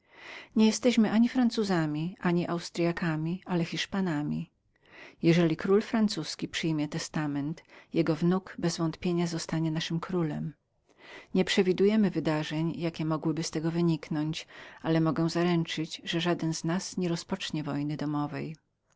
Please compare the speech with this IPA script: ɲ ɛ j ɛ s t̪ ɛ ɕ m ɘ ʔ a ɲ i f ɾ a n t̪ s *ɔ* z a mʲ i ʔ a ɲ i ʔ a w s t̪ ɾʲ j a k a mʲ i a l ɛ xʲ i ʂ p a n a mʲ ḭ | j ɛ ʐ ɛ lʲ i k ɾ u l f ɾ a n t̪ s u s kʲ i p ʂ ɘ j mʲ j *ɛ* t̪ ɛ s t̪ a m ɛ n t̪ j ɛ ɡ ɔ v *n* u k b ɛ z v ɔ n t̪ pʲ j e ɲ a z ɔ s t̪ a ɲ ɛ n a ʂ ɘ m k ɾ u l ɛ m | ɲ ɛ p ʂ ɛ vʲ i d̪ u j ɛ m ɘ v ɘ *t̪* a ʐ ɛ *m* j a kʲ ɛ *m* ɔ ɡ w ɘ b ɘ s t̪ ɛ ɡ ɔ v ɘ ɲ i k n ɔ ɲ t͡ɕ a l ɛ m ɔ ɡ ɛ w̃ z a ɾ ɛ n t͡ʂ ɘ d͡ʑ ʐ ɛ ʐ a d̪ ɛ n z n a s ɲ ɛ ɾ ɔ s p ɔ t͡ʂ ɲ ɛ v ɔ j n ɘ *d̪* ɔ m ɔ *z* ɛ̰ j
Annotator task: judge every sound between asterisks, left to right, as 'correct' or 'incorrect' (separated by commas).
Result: incorrect, correct, correct, incorrect, incorrect, correct, correct, incorrect